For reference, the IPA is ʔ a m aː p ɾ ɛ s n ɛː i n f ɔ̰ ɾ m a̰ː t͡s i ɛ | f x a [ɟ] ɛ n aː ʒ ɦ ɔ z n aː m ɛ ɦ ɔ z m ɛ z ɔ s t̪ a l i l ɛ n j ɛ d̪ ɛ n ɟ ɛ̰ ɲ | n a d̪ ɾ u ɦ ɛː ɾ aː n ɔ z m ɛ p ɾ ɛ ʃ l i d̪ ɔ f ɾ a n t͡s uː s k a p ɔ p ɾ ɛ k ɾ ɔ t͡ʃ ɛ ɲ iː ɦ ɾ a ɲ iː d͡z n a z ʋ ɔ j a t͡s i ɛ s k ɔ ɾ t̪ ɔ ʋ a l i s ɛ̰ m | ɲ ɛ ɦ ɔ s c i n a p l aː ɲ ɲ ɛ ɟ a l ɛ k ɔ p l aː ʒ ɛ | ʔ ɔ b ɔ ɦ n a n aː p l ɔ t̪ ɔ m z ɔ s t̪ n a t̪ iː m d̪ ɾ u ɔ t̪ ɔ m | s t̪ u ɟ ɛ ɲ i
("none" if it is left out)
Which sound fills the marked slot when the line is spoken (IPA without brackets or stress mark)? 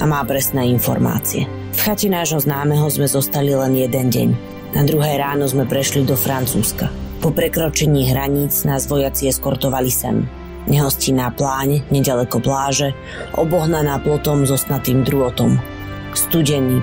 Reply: c